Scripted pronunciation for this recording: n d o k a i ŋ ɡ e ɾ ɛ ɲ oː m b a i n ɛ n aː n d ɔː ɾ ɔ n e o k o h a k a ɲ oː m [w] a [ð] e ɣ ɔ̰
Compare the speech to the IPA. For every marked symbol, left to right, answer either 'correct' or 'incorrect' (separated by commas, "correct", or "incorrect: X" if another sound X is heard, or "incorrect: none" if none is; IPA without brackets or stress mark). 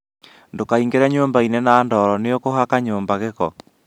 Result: incorrect: b, incorrect: ɣ